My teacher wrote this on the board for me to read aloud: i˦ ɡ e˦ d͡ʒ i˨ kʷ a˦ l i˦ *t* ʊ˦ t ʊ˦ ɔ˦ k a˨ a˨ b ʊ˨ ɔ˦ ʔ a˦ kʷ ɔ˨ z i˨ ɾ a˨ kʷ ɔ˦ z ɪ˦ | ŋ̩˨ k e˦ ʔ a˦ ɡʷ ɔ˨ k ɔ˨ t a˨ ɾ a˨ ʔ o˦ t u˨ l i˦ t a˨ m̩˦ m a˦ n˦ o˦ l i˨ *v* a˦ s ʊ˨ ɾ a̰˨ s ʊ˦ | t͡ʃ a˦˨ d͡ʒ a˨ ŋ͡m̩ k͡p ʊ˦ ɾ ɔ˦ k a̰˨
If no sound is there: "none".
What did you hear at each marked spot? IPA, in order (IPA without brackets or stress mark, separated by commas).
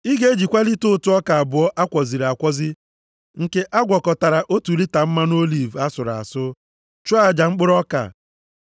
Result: t, v